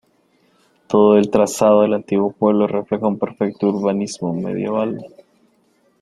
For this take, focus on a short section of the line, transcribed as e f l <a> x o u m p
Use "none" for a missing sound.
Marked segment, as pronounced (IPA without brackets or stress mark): e